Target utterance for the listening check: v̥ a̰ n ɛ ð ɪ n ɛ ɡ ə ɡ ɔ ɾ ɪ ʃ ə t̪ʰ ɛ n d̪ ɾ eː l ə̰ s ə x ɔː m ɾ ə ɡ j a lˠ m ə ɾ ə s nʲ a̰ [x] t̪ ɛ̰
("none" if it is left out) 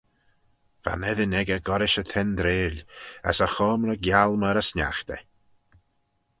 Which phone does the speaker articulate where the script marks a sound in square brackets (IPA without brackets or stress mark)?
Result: x